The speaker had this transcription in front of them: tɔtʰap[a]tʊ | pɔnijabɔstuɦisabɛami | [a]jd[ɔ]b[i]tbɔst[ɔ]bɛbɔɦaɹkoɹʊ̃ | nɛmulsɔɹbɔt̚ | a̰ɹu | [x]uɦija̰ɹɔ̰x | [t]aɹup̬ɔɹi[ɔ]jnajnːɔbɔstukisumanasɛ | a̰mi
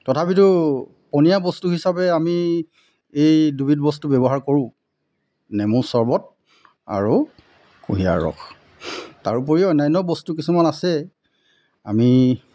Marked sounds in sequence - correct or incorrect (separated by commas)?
incorrect, incorrect, incorrect, correct, incorrect, incorrect, correct, correct